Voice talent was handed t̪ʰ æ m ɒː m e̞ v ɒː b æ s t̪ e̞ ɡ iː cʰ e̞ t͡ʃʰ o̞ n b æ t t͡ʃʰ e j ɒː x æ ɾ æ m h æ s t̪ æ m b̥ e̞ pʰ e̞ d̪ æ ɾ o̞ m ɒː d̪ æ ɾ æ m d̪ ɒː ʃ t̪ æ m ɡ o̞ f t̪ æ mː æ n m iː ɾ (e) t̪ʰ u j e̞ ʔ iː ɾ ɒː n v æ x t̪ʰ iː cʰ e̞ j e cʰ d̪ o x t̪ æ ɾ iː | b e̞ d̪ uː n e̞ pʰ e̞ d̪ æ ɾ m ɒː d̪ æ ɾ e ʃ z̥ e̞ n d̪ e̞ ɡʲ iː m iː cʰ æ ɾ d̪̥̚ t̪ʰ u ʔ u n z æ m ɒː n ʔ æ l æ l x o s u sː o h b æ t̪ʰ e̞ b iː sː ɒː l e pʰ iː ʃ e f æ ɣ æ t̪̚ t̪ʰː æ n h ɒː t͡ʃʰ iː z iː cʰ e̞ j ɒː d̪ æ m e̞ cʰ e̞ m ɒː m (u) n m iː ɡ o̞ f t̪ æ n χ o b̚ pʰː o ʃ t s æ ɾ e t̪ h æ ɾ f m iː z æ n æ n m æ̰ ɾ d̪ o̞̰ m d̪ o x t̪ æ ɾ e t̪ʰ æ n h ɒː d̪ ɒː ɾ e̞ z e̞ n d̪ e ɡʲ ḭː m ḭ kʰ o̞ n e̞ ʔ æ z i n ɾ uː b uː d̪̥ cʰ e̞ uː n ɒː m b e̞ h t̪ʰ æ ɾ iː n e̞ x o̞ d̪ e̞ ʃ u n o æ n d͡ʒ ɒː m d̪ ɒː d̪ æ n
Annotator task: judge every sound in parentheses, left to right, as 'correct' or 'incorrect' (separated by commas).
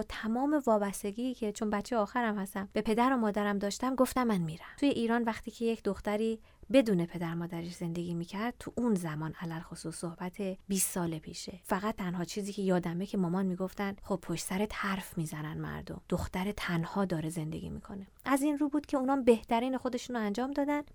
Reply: incorrect, incorrect